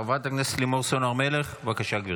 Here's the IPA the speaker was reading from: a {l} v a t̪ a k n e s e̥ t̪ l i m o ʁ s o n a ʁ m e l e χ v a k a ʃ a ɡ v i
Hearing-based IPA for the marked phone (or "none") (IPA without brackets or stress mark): none